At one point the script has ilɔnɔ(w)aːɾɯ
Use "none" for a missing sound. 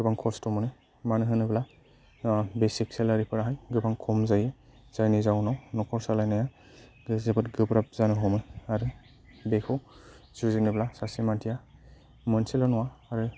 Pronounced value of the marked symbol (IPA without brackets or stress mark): w